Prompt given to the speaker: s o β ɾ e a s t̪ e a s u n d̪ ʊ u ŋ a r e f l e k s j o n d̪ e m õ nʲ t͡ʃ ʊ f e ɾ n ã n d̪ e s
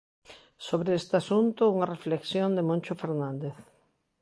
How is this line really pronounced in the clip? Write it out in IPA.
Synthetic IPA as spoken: s o β ɾ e e s t̪ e a s u n t̪ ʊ u ŋ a r e f l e k s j o n d̪ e m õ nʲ t͡ʃ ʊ f e ɾ n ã n d̪ e θ